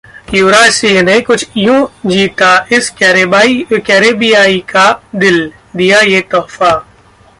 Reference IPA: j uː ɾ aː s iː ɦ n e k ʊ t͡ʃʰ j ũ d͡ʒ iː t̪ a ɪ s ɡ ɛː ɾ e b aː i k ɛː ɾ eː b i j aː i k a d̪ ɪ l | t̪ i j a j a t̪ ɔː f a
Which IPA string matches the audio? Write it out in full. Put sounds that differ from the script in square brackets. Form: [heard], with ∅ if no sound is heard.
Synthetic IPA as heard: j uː ɾ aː s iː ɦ n e k ʊ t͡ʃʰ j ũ d͡ʒ iː t̪ a ɪ s [k] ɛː ɾ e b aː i k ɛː ɾ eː b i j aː i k a d̪ ɪ l | [d̪] i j a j [e] t̪ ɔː f a

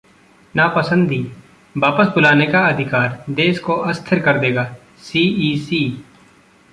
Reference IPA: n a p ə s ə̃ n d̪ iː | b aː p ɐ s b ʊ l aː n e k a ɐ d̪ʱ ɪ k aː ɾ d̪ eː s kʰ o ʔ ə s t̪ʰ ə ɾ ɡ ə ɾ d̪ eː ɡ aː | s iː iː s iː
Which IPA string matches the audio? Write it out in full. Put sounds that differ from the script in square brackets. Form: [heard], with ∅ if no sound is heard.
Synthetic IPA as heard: n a p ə s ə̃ n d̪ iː | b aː p [ə] s b ʊ l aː n e k a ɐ d̪ʱ ɪ k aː ɾ d̪ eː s [k] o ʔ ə s t̪ʰ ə ɾ [k] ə ɾ d̪ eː ɡ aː | s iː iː s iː

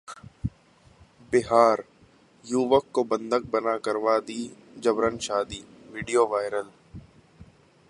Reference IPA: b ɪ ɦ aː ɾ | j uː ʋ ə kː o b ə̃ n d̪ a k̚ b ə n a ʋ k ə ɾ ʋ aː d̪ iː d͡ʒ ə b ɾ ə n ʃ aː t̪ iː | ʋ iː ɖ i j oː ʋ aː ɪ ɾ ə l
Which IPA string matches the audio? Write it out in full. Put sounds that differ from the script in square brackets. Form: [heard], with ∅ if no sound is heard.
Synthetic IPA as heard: b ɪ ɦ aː ɾ | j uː ʋ ə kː o b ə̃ n d̪ [ə] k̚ b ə n a [∅] k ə ɾ ʋ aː d̪ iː d͡ʒ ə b ɾ ə n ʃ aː [d̪] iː | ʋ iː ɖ i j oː ʋ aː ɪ ɾ ə l

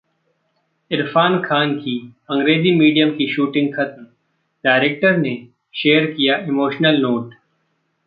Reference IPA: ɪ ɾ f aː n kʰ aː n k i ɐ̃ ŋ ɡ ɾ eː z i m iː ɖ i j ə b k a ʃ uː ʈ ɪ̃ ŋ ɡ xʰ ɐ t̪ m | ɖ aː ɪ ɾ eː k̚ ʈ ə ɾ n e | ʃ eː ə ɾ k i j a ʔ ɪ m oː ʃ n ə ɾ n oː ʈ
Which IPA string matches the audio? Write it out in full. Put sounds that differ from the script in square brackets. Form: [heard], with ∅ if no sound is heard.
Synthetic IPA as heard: ɪ ɾ f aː n kʰ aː n k i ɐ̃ ŋ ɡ ɾ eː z i m iː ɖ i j ə [m] k [i] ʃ uː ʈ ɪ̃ ŋ ɡ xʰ ɐ t̪ m | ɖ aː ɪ ɾ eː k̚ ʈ ə ɾ n e | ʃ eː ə ɾ k i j a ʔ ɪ m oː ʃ n ə [l] n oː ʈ

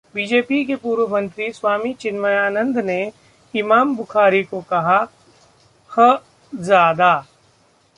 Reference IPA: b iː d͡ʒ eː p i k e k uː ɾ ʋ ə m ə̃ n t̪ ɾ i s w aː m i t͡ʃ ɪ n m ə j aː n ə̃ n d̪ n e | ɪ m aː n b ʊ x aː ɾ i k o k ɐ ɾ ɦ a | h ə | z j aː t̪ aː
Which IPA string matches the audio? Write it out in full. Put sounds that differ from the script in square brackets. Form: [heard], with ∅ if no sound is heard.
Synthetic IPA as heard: b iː d͡ʒ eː p i k e [p] uː ɾ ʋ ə m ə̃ n t̪ ɾ i s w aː m i t͡ʃ ɪ n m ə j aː n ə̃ n d̪ n e | ɪ m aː [m] b ʊ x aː ɾ i k o k ɐ [∅] ɦ a | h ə | z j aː [d̪] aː

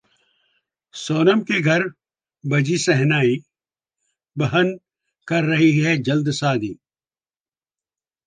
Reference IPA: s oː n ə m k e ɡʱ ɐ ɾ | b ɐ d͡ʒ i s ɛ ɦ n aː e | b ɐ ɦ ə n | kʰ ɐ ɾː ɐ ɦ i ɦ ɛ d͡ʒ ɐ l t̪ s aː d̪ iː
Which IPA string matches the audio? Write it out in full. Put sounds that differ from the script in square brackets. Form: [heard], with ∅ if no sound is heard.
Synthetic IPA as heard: s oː n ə m k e ɡʱ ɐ ɾ | b ɐ d͡ʒ i s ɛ ɦ n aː [i] | b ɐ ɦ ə n | [k] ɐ ɾː ɐ ɦ i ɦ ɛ d͡ʒ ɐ l [d̪] s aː d̪ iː

